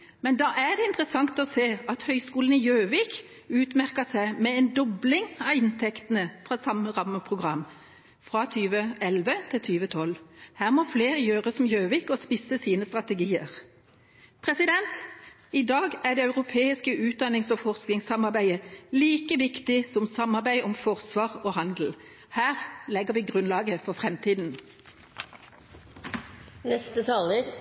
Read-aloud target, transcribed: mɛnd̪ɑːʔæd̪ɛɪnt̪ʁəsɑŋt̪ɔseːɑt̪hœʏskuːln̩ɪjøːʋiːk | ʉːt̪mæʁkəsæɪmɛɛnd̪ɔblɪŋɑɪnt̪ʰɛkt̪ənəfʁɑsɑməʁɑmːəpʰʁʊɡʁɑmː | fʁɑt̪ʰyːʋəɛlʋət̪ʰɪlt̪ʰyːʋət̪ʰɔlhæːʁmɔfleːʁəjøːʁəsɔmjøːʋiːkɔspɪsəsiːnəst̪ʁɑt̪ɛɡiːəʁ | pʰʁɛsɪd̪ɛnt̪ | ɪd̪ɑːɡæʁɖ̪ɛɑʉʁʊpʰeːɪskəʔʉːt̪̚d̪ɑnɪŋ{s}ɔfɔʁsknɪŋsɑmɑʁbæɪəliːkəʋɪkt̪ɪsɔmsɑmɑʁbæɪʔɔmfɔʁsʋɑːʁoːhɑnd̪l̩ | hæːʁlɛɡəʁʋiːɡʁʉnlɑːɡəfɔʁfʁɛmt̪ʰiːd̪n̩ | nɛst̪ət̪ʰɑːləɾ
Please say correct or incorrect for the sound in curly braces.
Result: correct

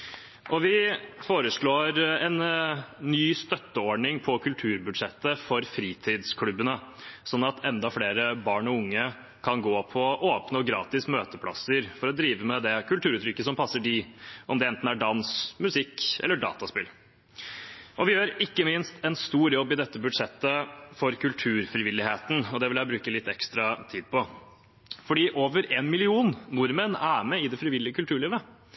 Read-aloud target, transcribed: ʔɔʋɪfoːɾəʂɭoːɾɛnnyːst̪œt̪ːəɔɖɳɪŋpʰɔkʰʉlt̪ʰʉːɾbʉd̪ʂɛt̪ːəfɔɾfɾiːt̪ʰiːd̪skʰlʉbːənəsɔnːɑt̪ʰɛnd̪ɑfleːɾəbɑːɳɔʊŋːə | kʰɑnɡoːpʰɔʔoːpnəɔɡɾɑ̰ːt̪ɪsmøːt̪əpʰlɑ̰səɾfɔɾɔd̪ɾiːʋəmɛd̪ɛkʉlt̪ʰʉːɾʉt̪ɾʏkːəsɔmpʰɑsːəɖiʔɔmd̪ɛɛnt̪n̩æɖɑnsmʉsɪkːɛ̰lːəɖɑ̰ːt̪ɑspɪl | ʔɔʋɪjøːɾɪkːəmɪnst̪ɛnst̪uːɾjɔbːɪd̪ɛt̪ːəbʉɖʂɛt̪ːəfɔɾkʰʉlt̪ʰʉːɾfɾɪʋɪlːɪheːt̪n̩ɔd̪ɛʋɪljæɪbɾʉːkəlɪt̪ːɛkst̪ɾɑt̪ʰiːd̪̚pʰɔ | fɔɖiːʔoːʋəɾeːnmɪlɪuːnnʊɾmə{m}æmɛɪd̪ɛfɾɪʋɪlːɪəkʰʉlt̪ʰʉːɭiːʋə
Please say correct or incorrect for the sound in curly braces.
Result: incorrect: n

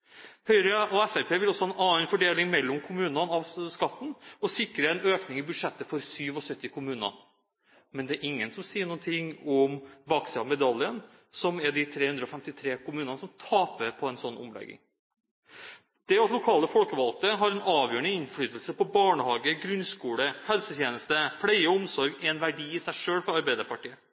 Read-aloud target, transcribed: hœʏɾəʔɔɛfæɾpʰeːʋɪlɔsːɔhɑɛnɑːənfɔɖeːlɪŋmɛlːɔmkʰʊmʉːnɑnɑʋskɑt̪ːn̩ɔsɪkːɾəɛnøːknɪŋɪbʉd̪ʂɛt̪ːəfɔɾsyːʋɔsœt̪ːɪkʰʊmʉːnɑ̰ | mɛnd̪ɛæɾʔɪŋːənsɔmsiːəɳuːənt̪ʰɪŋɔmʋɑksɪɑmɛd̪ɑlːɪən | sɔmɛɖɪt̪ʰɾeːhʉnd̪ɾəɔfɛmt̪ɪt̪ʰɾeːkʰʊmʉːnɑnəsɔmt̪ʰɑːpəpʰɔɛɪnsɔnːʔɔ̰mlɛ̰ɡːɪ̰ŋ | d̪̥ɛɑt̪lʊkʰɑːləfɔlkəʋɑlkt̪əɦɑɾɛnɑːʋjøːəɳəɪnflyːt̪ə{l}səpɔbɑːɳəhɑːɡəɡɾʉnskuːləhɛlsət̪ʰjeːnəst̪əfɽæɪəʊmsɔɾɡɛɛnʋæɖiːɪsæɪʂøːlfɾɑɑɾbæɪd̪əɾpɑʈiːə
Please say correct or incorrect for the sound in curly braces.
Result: correct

